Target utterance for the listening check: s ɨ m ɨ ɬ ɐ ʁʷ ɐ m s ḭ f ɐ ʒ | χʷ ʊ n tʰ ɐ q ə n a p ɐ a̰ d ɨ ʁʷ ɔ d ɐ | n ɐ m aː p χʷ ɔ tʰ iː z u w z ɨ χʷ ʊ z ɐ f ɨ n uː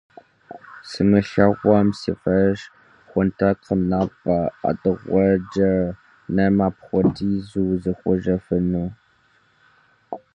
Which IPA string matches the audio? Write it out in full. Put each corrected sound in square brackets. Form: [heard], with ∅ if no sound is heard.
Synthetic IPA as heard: s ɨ m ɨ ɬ ɐ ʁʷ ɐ m s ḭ f ɐ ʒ | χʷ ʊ n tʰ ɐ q ə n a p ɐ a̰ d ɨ ʁʷ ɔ [d͡ʒ] ɐ | n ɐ m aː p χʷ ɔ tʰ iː z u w z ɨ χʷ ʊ [ʒ] ɐ f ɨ n uː